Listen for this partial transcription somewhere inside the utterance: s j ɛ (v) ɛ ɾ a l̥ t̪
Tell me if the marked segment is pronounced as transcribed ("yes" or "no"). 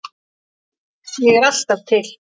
no